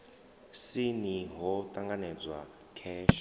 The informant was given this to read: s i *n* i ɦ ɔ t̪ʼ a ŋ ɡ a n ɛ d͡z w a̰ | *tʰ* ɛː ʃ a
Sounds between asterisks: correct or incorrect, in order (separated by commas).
correct, incorrect